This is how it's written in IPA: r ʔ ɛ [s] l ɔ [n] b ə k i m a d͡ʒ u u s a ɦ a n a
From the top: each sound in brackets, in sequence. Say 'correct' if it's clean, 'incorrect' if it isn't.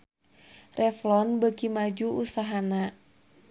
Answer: incorrect: f, correct

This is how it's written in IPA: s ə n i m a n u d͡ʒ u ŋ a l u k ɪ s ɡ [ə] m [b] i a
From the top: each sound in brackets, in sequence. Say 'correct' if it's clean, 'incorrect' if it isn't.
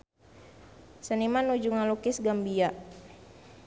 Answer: incorrect: a, correct

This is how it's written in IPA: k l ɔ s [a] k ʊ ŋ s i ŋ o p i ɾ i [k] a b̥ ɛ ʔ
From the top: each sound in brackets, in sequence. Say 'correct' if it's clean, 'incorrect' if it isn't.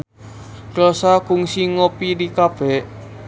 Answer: correct, correct

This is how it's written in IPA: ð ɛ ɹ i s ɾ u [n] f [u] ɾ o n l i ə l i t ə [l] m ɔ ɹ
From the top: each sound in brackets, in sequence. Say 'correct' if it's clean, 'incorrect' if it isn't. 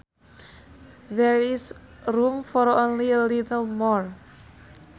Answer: incorrect: m, incorrect: ɔ, correct

